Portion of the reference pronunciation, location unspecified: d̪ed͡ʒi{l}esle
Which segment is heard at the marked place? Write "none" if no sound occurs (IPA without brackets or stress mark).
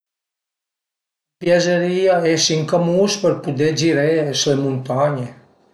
ɾ